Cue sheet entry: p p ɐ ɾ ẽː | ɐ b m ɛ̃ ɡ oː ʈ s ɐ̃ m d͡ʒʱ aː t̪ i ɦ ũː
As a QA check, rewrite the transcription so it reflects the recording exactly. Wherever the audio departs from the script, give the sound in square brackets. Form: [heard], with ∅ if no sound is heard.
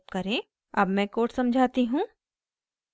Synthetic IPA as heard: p [k] ɐ ɾ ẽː | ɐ b m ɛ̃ [k] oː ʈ s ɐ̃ m d͡ʒʱ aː t̪ i ɦ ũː